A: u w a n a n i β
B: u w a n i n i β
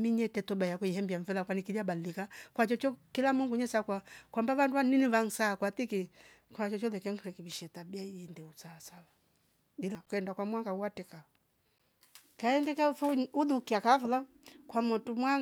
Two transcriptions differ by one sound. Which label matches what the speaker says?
B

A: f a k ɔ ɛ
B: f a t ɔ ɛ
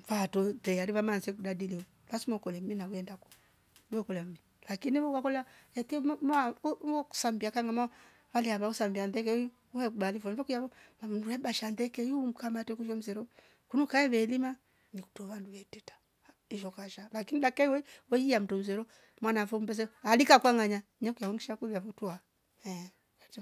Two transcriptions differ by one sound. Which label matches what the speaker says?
B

